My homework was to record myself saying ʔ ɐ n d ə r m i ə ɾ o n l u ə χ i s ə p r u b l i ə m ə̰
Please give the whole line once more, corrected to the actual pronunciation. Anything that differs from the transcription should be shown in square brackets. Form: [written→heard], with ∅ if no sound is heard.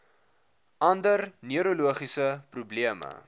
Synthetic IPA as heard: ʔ ɐ n d ə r [m→n] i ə ɾ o [n→∅] l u ə χ i s ə p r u b l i ə m ə̰